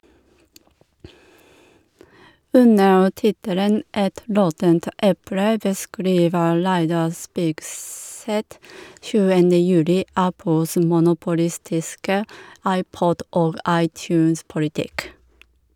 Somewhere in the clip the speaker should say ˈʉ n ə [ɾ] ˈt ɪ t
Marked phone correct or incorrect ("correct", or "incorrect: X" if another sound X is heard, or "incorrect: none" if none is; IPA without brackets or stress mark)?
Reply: incorrect: ɹ